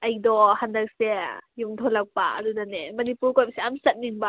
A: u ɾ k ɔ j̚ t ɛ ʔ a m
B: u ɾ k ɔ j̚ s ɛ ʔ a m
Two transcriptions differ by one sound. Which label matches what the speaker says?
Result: B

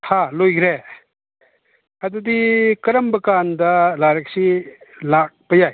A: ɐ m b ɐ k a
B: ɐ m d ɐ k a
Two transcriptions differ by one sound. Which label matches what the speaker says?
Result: A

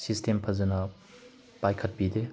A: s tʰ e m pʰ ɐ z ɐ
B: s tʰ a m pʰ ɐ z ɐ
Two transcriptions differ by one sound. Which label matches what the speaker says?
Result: A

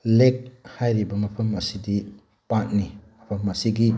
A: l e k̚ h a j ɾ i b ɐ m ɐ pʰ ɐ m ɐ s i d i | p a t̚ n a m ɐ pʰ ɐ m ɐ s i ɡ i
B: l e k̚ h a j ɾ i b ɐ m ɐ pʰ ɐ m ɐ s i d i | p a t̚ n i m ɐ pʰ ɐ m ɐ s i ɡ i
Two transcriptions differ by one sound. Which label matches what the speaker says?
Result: B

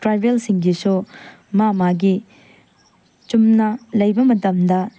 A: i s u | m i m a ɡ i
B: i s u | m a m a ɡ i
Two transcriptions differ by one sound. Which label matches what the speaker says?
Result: B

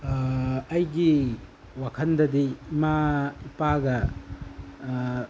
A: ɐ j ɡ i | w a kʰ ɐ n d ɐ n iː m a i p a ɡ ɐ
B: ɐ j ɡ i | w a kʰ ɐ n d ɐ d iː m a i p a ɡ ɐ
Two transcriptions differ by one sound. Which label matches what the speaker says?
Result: B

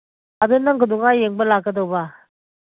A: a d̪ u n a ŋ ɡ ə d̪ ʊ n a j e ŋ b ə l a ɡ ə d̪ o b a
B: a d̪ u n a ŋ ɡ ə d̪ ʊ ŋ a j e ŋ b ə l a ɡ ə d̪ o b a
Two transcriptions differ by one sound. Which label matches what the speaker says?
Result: B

